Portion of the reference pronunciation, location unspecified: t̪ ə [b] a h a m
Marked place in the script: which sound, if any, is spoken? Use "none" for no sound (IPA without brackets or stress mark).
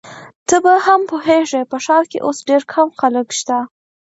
b